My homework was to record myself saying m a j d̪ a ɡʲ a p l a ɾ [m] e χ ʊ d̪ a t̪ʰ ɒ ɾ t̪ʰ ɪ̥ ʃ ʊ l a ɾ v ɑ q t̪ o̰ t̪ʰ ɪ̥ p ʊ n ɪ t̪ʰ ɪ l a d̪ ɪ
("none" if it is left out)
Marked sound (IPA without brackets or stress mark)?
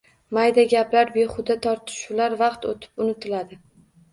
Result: b